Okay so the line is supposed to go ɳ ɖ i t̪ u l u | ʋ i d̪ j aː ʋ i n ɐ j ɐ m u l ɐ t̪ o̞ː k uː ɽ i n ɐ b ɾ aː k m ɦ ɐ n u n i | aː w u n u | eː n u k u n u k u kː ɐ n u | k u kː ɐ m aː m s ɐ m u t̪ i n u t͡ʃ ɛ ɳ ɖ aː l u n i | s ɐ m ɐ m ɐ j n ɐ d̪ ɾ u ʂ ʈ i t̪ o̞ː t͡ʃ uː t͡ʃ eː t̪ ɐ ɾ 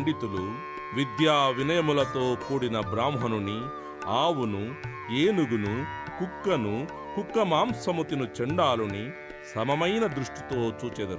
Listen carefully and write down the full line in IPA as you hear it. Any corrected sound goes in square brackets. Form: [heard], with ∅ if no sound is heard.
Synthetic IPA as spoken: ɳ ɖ i t̪ u l u | ʋ i d̪ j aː ʋ i n ɐ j ɐ m u l ɐ t̪ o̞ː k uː ɽ i n ɐ b ɾ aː [∅] m ɦ ɐ n u n i | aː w u n u | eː n u [ɡ] u n u k u kː ɐ n u | k u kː ɐ m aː m s ɐ m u t̪ i n u t͡ʃ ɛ ɳ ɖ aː l u n i | s ɐ m ɐ m ɐ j n ɐ d̪ ɾ u ʂ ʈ i t̪ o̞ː t͡ʃ uː t͡ʃ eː [d̪] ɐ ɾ